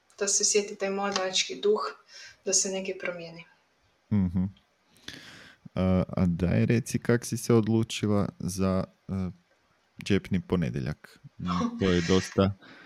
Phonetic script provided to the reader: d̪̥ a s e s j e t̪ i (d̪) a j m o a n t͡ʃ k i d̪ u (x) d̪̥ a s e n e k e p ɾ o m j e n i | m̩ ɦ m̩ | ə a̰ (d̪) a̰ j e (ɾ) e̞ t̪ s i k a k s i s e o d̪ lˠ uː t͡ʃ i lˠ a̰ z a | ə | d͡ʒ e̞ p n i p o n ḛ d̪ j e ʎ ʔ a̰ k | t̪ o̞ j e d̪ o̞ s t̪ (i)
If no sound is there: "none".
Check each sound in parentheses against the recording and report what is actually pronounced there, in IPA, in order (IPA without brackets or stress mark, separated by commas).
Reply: t̪, x, d̪, ɾ, a